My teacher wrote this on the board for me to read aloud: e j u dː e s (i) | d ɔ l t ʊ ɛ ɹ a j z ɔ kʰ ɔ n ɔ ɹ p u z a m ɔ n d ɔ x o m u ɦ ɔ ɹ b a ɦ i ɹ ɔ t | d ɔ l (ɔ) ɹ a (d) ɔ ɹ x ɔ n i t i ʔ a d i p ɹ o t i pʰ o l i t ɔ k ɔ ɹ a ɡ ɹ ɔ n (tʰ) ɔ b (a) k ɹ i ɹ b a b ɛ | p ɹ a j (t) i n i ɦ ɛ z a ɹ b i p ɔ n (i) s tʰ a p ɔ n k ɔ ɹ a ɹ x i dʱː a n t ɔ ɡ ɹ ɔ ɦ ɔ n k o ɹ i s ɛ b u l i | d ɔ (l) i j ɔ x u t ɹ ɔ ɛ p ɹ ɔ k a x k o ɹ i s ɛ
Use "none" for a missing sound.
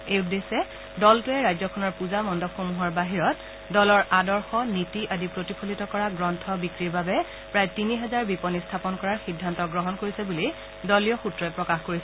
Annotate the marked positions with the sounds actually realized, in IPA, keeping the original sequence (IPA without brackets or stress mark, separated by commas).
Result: ɛ, ɔ, d, tʰ, i, t, i, l